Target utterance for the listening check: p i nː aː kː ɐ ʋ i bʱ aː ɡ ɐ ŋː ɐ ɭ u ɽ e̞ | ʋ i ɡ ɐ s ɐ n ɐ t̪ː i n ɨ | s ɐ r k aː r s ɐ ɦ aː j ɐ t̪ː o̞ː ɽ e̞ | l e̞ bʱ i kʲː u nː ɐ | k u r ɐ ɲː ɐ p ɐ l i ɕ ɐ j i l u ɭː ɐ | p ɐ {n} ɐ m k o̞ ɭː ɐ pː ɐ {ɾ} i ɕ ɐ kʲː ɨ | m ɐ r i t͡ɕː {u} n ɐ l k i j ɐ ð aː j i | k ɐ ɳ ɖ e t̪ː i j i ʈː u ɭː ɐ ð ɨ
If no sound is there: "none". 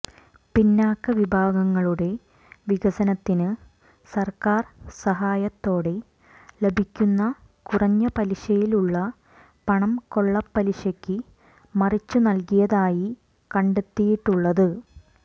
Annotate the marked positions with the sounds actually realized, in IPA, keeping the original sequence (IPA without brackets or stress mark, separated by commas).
ɳ, l, u